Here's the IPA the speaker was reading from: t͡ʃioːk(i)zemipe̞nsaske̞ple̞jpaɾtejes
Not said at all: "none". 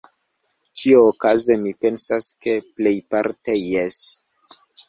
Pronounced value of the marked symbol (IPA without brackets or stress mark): a